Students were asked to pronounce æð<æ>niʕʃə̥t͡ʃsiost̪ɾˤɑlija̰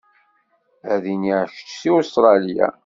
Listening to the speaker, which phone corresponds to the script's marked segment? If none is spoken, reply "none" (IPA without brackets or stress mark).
i